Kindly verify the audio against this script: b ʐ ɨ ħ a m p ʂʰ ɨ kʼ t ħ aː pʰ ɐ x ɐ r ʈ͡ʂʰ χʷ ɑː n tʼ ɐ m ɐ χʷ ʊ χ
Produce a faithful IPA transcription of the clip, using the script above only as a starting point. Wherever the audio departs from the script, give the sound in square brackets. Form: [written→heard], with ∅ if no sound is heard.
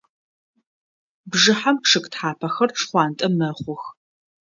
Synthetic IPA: b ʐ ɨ ħ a m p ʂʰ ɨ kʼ t ħ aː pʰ ɐ x ɐ r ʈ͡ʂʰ χʷ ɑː n tʼ ɐ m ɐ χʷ ʊ [χ→x]